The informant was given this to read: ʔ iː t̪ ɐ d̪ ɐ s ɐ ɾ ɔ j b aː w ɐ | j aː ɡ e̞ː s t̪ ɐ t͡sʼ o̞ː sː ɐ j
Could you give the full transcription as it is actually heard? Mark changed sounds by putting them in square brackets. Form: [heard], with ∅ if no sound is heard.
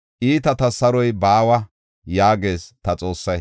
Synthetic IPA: ʔ iː t̪ ɐ [t̪] ɐ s ɐ ɾ ɔ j b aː w ɐ | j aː ɡ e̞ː s t̪ ɐ t͡sʼ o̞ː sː ɐ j